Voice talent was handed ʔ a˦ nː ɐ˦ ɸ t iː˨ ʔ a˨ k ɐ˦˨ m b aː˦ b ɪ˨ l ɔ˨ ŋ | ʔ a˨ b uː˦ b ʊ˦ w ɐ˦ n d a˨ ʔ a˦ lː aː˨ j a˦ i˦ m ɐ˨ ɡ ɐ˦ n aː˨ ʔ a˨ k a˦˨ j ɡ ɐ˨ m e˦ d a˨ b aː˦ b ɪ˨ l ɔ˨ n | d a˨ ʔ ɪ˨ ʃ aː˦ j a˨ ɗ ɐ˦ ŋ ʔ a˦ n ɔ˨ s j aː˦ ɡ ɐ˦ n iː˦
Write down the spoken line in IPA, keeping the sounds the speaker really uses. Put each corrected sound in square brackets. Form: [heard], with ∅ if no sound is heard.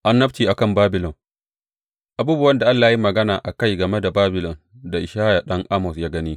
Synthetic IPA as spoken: ʔ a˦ nː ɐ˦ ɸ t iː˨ ʔ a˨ k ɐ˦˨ m b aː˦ b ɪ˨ l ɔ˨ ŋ | ʔ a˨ b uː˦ b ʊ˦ w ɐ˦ n d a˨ ʔ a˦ lː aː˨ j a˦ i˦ m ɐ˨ ɡ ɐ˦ n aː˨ ʔ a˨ k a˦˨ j ɡ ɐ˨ m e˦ d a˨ b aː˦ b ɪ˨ l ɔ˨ n | d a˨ ʔ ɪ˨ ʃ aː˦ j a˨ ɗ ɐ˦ ŋ ʔ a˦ [m] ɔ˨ s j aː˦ ɡ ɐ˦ n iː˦